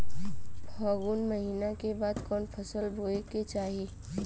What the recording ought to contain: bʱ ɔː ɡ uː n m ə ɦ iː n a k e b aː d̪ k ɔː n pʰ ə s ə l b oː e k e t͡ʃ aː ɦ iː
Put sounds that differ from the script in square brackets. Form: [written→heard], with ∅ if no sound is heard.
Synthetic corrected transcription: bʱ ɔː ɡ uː n m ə ɦ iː n a k e b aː d̪ k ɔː n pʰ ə s ə l b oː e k e t͡ʃ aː ɦ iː

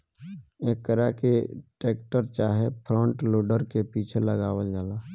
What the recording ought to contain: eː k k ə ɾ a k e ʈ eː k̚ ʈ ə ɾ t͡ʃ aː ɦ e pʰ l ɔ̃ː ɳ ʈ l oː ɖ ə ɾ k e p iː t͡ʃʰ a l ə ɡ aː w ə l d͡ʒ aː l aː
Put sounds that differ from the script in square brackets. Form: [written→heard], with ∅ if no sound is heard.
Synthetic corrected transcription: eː k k ə ɾ a k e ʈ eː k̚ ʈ ə ɾ t͡ʃ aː ɦ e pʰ [l→ɾ] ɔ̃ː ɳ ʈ l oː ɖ ə ɾ k e p iː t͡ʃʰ [a→e] l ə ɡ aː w ə l d͡ʒ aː l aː

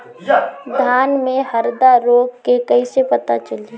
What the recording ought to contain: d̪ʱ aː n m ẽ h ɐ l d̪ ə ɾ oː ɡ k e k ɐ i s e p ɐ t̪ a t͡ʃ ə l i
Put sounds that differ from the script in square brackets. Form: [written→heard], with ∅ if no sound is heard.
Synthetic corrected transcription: d̪ʱ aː n m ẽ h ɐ [l→ɾ] d̪ [ə→a] ɾ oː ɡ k e k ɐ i s e p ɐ t̪ a t͡ʃ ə l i

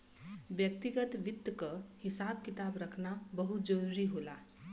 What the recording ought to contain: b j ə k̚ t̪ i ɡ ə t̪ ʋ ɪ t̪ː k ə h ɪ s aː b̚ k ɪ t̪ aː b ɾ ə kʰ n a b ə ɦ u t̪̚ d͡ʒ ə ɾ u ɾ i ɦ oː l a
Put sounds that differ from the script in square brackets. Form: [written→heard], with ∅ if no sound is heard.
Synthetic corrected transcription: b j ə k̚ t̪ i ɡ ə t̪ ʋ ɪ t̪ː k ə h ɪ s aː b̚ k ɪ t̪ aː b ɾ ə kʰ n a b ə ɦ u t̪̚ d͡ʒ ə ɾ u ɾ i ɦ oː l a

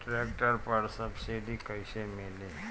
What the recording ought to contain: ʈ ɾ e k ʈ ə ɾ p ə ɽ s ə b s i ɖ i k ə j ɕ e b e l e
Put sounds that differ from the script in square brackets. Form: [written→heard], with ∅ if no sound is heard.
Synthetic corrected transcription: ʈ ɾ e k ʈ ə ɾ p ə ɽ s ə b s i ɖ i k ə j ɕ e [b→m] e l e

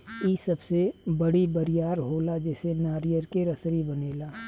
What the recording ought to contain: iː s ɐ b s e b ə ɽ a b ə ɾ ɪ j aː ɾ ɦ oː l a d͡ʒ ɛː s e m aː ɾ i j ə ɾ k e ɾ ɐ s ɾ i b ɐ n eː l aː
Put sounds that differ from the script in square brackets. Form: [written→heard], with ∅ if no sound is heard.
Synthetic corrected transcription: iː s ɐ b s e b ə ɽ [a→i] b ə ɾ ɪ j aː ɾ ɦ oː l a d͡ʒ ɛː s e [m→n] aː ɾ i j ə ɾ k e ɾ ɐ s ɾ i b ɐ n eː l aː

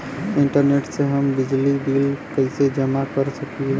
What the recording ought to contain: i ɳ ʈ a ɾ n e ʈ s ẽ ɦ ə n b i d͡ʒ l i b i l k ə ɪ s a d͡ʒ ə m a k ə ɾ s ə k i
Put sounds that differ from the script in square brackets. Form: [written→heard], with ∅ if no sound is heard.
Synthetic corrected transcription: i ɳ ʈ [a→ə] ɾ n e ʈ s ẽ ɦ ə [n→m] b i d͡ʒ l i b i l k ə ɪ s [a→e] d͡ʒ ə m a k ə ɾ s ə k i

